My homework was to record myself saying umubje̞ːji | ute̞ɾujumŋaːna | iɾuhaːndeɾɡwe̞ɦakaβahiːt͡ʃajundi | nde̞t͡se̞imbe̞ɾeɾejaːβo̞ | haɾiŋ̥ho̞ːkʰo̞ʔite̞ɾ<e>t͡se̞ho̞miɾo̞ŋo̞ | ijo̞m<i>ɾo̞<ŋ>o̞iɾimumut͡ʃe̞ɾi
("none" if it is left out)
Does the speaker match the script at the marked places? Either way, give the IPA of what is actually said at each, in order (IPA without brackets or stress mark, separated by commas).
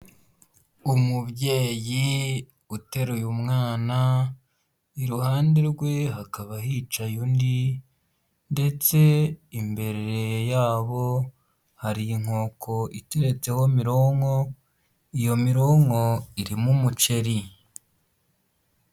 e, i, ŋ